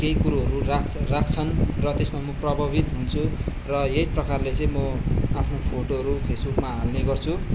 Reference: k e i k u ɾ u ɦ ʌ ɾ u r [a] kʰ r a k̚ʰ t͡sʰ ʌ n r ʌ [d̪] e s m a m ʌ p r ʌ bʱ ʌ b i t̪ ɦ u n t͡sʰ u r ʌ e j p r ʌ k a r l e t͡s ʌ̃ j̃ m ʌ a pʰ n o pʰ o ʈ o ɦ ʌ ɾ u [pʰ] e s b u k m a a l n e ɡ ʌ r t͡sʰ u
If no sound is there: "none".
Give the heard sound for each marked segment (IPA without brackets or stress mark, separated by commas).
a, t̪, pʰ